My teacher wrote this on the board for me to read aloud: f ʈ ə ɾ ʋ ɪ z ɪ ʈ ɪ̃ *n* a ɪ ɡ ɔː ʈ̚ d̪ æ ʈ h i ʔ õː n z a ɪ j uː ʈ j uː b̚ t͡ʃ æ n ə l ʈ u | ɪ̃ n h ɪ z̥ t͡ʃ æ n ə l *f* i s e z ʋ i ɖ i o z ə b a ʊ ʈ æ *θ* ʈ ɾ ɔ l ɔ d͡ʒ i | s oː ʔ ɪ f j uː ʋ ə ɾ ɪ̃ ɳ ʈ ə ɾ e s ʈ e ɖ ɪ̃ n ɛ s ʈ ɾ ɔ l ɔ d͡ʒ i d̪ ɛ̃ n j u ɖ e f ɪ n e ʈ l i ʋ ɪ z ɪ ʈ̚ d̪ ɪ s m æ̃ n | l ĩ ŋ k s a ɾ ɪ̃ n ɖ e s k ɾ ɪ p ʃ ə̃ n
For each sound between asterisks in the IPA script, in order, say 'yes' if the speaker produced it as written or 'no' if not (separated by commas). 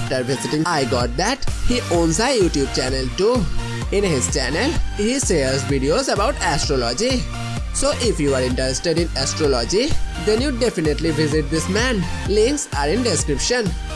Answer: no, no, no